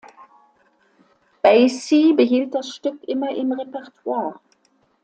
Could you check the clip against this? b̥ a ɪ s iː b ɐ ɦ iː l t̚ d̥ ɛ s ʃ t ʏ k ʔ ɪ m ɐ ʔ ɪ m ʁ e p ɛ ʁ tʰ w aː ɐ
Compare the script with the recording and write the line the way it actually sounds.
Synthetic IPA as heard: b̥ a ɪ s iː b ə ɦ iː l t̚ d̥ a s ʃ t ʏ k ʔ ɪ m ɐ ʔ ɪ m ʁ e p ɛ ʁ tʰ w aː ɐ